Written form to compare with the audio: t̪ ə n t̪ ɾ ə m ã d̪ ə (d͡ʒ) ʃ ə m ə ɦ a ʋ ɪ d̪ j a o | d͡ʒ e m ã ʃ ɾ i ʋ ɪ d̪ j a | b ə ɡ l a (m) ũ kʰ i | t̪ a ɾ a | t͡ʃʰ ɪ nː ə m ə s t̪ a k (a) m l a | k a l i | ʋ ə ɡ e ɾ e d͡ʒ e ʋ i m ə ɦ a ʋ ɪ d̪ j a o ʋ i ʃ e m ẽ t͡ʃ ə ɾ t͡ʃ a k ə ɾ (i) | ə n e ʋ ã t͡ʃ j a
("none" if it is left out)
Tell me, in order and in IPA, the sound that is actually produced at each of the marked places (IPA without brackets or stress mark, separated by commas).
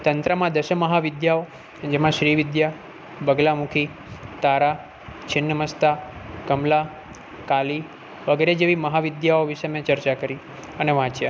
none, m, ə, i